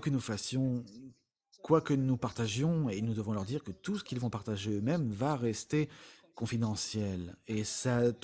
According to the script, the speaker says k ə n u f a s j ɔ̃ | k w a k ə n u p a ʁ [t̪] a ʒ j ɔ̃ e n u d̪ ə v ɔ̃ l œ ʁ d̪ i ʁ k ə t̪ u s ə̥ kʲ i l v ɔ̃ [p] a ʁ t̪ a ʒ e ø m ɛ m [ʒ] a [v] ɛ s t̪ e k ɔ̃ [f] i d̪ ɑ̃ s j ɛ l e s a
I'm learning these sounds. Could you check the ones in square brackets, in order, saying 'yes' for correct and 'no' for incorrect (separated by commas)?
yes, yes, no, no, yes